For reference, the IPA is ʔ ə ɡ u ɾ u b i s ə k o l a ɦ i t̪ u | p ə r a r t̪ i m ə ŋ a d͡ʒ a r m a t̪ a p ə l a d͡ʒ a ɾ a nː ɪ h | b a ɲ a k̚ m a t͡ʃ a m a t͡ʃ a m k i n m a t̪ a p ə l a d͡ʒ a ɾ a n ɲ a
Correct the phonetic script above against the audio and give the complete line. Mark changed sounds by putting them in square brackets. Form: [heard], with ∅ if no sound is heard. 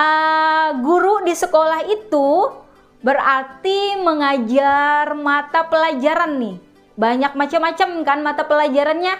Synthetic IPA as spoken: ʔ ə ɡ u ɾ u [d] i s ə k o l a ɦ i t̪ u | [b] ə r a r t̪ i m ə ŋ a d͡ʒ a r m a t̪ a p ə l a d͡ʒ a ɾ a nː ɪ h | b a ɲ a k̚ m a t͡ʃ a m a t͡ʃ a m k [a] n m a t̪ a p ə l a d͡ʒ a ɾ a n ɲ a

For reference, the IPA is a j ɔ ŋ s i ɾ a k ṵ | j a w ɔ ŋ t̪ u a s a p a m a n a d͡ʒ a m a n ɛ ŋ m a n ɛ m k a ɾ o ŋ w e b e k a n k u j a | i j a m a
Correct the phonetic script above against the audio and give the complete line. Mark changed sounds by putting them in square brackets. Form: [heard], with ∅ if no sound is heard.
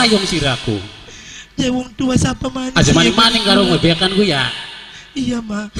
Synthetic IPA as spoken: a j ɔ ŋ s i ɾ a k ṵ | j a w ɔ ŋ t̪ u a s a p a m a n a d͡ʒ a m a n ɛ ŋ m a n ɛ [ŋ] k a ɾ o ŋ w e b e k a n k u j a | i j a m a

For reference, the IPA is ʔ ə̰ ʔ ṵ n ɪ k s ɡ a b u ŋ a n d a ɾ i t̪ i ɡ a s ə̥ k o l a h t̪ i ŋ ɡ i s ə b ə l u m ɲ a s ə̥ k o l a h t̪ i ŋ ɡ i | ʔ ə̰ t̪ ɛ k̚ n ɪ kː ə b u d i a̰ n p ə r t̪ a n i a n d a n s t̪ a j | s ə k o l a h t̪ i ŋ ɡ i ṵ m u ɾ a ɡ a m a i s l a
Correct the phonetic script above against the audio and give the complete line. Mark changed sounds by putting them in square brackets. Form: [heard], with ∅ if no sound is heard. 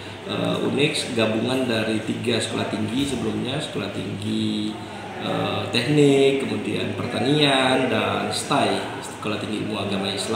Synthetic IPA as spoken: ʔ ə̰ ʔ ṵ n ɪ k s ɡ a b u ŋ a n d a ɾ i t̪ i ɡ a s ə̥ k o l a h t̪ i ŋ ɡ i s ə b ə l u m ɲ a s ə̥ k o l a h t̪ i ŋ ɡ i | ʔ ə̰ t̪ ɛ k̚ n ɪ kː ə [m] u d i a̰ n p ə r t̪ a n i a n d a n s t̪ a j | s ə k o l a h t̪ i ŋ ɡ i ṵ m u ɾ a ɡ a m a i s l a

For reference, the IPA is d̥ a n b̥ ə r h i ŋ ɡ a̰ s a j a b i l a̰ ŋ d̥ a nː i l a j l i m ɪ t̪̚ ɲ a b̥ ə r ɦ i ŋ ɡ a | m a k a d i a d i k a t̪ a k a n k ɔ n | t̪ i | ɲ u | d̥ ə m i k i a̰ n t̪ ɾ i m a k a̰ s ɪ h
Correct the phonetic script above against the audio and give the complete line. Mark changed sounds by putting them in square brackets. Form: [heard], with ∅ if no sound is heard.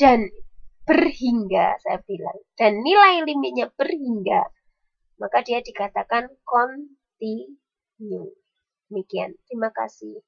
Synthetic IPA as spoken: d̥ a n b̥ ə r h i ŋ ɡ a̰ s a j a b i l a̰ ŋ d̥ a nː i l a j l i m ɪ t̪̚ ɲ a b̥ ə r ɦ i ŋ ɡ a | m a k a d i a d i k a t̪ a k a n k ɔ n | t̪ i | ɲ u | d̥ ə m i k i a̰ n t̪ ɾ i m a k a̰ s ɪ h

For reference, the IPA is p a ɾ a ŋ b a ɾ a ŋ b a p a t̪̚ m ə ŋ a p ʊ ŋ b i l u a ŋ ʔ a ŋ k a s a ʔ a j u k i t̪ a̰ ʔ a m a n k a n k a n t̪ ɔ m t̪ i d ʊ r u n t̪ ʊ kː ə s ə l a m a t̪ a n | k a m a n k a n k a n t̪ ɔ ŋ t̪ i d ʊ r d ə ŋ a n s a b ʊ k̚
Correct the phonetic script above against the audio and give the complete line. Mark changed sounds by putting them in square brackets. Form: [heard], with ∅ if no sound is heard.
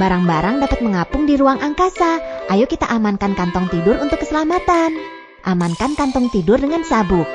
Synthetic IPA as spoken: [b] a ɾ a ŋ b a ɾ a ŋ [d] a p a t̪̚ m ə ŋ a p ʊ ŋ [d] i [ɾ] u a ŋ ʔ a ŋ k a s a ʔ a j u k i t̪ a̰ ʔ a m a n k a n k a n t̪ ɔ [ŋ] t̪ i d ʊ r u n t̪ ʊ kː ə s ə l a m a t̪ a n | [ʔ] a m a n k a n k a n t̪ ɔ ŋ t̪ i d ʊ r d ə ŋ a n s a b ʊ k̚

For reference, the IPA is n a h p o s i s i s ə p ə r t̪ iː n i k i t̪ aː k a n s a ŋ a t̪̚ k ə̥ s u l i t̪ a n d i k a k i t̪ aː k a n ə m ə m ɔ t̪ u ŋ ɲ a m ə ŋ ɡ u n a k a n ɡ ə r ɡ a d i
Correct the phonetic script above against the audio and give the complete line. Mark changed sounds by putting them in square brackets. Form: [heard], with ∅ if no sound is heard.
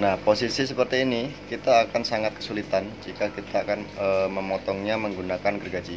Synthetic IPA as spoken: n a h p o s i s i s ə p ə r t̪ iː n i k i t̪ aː k a n s a ŋ a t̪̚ k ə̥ s u l i t̪ a n [d͡ʒ] i k a k i t̪ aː k a n ə m ə m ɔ t̪ [ɔ] ŋ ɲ a m ə ŋ ɡ u n a k a n ɡ ə r ɡ a [d͡ʒ] i

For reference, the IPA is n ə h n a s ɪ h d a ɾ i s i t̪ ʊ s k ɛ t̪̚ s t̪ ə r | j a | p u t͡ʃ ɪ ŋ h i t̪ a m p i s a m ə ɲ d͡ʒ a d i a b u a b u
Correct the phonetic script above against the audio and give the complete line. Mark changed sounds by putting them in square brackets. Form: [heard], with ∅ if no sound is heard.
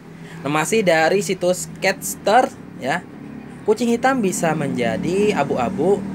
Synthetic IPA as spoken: n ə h [m] a s ɪ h d a ɾ i s i t̪ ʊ s k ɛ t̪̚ s t̪ ə r | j a | [k] u t͡ʃ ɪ ŋ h i t̪ a m [b] i s a m ə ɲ d͡ʒ a d i a b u a b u

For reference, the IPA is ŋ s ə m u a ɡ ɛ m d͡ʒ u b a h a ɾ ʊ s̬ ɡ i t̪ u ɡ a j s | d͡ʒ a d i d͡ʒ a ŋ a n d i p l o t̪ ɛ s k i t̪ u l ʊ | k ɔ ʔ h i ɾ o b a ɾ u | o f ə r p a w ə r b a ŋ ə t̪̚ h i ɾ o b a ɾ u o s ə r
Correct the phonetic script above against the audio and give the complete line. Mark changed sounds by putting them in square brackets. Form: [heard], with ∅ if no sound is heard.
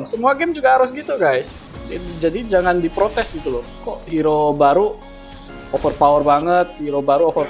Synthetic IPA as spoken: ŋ s ə m u a ɡ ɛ m d͡ʒ u [ɡ] a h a ɾ ʊ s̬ ɡ i t̪ u ɡ a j s | d͡ʒ a d i d͡ʒ a ŋ a n d i p [ɾ] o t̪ ɛ s [ɡ] i t̪ u l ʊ | k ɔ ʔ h i ɾ o b a ɾ u | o f ə r p a w ə r b a ŋ ə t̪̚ h i ɾ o b a ɾ u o [f] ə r

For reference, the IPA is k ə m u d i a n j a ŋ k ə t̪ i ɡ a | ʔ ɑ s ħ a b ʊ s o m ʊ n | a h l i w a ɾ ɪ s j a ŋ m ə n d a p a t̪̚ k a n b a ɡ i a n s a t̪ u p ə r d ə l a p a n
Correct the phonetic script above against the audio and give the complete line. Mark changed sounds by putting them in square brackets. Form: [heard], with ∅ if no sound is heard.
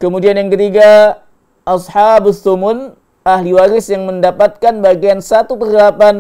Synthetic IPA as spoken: k ə m u d i a n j a ŋ k ə t̪ i ɡ a | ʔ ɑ s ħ a b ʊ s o m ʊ n | a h l i w a ɾ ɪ s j a ŋ m ə n d a p a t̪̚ k a n b a ɡ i a n s a t̪ u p ə r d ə l a p a n

